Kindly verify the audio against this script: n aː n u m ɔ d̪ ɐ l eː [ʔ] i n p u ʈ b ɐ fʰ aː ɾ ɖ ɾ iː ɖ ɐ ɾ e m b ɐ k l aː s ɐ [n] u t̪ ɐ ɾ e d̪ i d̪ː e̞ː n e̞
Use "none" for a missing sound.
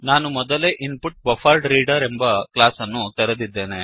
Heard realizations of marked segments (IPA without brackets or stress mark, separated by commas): ʔ, nː